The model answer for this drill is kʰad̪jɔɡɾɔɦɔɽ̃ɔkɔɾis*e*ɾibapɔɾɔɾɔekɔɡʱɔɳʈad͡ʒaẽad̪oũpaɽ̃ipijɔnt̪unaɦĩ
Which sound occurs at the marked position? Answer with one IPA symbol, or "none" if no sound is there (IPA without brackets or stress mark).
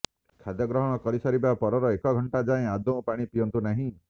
a